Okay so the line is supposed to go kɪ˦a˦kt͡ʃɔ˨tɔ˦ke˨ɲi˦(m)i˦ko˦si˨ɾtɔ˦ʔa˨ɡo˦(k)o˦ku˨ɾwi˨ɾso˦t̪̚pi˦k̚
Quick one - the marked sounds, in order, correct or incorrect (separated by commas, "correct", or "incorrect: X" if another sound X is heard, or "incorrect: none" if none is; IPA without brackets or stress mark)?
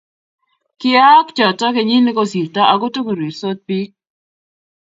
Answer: incorrect: n, incorrect: t